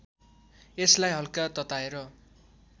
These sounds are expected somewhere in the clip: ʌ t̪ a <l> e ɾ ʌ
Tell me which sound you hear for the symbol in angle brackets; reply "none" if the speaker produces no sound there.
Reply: none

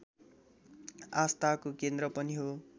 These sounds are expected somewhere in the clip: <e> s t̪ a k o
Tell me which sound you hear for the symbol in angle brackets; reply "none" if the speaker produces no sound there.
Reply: a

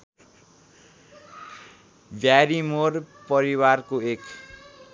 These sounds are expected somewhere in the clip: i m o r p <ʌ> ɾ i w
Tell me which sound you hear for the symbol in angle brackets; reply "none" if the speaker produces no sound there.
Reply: ʌ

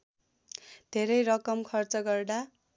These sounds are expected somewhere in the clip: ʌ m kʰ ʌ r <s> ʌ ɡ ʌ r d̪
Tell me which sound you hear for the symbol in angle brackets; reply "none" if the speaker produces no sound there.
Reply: t͡s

